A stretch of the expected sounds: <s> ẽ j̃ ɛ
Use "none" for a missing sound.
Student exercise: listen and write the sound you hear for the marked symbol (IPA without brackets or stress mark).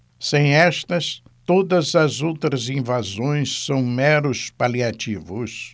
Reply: s